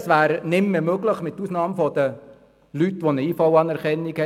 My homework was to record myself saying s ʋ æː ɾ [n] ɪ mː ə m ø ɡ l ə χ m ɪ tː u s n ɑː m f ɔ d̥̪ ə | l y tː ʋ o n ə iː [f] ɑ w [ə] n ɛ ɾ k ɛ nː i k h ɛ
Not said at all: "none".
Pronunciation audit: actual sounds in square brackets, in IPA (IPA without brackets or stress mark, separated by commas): n, f, ɑ